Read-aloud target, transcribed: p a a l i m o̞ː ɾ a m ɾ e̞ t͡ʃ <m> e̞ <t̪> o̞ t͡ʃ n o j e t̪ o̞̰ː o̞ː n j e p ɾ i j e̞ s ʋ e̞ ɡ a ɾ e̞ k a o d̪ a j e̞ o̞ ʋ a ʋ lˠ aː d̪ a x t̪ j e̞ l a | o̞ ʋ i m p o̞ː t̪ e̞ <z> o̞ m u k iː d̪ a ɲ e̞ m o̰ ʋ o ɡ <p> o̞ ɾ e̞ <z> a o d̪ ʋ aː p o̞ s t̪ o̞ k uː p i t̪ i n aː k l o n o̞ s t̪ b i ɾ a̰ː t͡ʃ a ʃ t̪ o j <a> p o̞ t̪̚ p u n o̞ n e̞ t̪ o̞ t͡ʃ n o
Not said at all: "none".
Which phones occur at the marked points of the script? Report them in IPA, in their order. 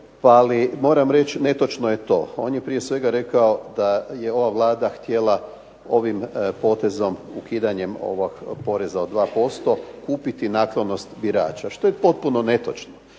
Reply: n, t̪, z, p, z, e

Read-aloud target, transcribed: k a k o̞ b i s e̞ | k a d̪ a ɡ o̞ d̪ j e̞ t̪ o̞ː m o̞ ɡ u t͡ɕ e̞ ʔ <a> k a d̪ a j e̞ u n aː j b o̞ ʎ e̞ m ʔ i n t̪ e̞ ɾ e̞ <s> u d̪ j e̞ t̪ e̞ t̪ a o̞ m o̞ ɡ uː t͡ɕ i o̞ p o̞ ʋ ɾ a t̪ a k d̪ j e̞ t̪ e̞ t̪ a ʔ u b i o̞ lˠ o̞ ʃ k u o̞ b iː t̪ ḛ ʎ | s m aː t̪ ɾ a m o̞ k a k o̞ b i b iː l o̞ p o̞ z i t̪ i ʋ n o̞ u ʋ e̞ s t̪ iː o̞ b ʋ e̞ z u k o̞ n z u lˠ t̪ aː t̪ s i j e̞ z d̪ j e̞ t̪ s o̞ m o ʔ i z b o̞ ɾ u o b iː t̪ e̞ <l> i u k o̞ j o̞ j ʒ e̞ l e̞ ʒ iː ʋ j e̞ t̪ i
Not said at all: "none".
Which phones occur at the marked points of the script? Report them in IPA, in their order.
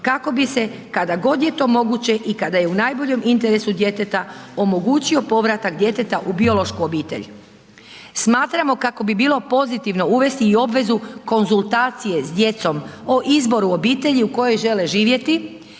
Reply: i, s, ʎ

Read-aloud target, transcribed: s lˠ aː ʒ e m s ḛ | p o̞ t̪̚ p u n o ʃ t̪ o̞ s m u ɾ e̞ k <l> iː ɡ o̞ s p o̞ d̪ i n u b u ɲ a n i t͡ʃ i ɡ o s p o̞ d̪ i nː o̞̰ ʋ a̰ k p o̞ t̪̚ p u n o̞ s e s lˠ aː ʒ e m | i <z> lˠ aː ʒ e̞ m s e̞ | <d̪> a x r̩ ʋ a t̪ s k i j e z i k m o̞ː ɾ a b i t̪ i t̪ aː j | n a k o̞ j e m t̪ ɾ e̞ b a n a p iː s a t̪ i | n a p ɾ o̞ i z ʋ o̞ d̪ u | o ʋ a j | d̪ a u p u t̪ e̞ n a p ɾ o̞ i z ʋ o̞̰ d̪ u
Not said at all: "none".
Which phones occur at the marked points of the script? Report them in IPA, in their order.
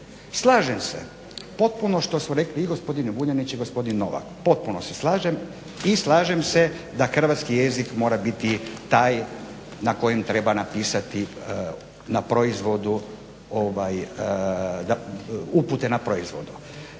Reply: l, s, d̪

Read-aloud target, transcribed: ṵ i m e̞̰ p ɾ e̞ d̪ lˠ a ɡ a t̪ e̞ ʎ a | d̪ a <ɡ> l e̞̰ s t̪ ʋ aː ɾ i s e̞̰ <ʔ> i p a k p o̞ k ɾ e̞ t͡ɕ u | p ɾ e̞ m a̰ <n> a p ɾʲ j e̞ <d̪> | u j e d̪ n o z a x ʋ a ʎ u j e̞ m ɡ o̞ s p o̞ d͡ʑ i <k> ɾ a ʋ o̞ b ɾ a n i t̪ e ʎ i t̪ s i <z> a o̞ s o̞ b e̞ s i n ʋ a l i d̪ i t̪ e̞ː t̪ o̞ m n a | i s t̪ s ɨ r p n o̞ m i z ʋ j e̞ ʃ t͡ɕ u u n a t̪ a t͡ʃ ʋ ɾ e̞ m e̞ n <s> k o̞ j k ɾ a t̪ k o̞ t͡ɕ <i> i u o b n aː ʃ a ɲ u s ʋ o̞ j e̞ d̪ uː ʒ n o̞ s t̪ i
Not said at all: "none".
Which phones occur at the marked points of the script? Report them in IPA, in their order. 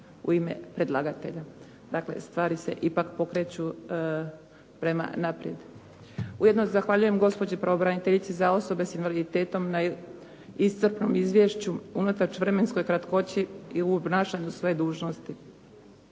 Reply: k, ʔ, n, d̪, p, z, s, i

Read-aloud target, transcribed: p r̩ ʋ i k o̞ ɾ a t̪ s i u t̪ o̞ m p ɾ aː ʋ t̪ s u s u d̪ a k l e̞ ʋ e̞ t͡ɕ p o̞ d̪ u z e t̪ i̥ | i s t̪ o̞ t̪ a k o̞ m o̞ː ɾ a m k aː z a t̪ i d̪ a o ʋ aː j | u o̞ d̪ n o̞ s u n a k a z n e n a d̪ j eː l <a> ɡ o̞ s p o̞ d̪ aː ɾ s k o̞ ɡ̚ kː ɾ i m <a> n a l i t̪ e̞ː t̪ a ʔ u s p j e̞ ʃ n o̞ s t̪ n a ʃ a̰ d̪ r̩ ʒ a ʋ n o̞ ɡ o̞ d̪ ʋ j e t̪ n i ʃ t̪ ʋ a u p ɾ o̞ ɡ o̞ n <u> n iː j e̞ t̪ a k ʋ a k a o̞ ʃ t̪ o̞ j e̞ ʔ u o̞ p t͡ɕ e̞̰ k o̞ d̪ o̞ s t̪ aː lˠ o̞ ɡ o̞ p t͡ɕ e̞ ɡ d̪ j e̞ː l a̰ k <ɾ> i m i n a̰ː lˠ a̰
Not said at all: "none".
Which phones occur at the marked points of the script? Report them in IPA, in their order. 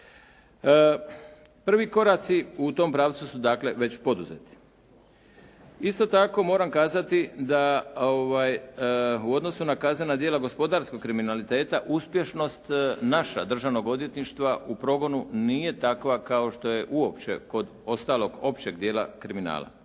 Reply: a, i, u, ɾ

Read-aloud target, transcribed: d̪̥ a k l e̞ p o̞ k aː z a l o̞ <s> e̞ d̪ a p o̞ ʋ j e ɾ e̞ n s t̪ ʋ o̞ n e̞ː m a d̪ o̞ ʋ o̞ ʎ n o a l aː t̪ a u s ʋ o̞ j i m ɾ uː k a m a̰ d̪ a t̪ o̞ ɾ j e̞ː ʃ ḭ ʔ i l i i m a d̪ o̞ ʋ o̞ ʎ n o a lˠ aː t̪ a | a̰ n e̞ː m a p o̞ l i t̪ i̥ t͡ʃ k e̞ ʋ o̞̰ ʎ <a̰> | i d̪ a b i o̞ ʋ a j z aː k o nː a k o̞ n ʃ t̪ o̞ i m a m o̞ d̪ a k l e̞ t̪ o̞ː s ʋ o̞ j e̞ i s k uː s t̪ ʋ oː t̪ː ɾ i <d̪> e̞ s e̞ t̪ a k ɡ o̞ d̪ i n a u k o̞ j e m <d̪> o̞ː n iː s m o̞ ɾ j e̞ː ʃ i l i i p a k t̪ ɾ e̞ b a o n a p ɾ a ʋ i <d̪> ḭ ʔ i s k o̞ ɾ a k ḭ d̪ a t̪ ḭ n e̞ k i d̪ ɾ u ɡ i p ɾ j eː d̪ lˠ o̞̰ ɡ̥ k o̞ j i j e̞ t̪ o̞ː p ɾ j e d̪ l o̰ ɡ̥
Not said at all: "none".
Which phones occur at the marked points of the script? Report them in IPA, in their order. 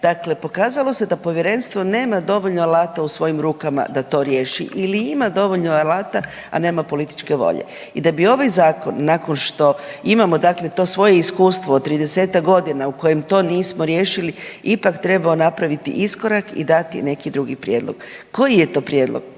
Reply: s, ḛ, d̪, t̪, t̪

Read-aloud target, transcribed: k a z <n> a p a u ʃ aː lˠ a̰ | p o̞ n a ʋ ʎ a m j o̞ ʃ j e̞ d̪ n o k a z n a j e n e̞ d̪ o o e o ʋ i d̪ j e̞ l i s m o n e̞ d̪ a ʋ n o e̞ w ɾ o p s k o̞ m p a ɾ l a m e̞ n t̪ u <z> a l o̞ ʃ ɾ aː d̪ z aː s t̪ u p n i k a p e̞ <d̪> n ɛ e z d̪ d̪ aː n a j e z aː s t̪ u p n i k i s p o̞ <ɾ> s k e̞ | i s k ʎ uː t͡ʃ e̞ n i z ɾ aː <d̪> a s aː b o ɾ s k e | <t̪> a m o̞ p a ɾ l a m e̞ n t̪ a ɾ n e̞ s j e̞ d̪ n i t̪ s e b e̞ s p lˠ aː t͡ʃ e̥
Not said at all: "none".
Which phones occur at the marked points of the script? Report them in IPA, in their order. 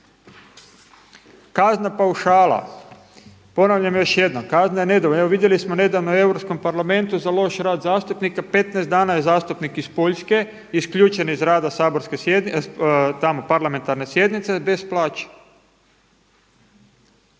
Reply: n, z, t̪, ʎ, d̪, t̪

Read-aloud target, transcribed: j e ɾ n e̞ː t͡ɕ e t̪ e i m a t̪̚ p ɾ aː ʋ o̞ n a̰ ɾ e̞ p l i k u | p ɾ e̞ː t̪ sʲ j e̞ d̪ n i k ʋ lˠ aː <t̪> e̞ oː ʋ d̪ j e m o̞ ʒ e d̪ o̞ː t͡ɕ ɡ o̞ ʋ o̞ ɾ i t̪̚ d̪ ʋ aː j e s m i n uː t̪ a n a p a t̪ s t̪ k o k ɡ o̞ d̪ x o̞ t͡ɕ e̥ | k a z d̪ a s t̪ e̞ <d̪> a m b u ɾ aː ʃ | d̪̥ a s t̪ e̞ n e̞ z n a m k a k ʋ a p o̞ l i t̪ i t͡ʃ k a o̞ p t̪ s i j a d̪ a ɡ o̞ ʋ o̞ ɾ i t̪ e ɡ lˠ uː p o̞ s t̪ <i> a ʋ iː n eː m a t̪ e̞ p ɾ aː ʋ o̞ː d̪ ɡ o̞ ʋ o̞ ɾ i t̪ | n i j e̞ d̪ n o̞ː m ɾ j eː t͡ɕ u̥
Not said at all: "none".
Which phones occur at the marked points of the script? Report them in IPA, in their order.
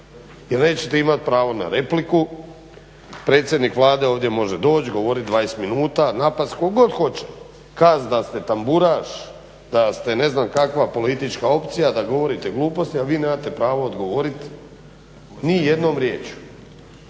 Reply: d̪, t̪, i

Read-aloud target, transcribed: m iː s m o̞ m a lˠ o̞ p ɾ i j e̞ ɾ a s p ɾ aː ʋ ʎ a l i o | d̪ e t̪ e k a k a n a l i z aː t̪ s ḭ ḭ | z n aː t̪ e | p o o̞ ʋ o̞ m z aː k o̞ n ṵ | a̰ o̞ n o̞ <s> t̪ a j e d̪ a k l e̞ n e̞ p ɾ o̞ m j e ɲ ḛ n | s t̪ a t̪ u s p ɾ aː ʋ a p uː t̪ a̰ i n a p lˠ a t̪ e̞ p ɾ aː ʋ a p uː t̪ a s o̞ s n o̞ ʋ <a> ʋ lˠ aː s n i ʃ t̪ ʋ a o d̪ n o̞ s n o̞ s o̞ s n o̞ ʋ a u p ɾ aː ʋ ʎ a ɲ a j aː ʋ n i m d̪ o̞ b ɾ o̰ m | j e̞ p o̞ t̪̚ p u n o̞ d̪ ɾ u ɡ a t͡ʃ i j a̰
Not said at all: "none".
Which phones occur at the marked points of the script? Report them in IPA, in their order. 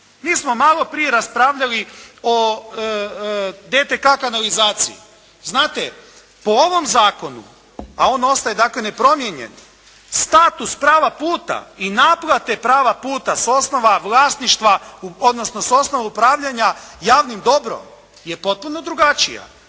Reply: s, a

